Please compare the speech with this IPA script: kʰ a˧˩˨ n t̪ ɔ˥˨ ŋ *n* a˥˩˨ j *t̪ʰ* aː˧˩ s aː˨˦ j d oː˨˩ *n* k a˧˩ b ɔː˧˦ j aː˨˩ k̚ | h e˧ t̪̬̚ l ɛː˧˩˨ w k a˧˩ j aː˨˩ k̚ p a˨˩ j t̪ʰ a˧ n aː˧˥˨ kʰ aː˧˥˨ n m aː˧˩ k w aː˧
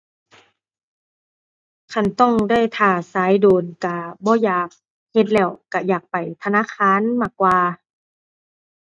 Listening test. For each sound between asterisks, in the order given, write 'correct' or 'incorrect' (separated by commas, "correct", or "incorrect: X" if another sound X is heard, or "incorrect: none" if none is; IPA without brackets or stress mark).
incorrect: d, correct, correct